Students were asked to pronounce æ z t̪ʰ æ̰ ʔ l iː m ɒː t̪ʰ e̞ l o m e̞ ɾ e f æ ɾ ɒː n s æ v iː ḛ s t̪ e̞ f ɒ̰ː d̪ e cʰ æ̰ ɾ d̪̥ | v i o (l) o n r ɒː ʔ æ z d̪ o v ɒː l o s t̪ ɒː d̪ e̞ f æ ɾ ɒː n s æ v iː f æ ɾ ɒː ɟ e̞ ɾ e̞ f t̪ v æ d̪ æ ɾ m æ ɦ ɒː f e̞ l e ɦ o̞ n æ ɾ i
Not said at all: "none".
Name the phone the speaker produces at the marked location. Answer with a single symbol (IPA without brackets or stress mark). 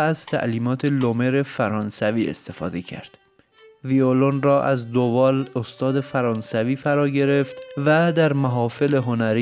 l